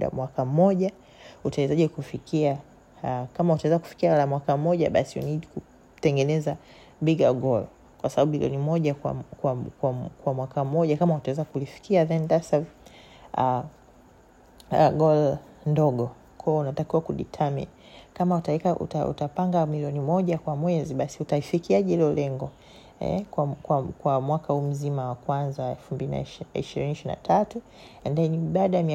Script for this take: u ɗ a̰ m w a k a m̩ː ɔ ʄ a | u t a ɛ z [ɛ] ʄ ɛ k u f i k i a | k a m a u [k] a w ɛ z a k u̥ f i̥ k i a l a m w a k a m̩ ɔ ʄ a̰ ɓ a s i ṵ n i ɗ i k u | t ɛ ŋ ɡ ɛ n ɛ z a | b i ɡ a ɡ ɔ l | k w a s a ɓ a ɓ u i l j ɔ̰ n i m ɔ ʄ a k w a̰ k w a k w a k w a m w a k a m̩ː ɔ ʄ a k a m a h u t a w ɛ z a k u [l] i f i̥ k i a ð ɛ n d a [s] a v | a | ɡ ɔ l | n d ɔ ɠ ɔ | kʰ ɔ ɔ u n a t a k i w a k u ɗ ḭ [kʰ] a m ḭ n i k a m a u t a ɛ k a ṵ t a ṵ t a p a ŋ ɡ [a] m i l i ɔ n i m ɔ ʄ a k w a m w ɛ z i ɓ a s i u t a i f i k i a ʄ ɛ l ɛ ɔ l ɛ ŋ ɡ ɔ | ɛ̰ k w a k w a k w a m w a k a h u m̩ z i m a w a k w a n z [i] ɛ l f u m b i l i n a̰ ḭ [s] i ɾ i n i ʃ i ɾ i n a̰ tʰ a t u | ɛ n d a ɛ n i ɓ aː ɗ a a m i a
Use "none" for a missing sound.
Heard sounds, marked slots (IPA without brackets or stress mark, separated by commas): a, t, l, s, tʰ, a, a, ʃ